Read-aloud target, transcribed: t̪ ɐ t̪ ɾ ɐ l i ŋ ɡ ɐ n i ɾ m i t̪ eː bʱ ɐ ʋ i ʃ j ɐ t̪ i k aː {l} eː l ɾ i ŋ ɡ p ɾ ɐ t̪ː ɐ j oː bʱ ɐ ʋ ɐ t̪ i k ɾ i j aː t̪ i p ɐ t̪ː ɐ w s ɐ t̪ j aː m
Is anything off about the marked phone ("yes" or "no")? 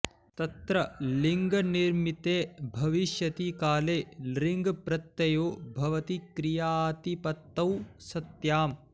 no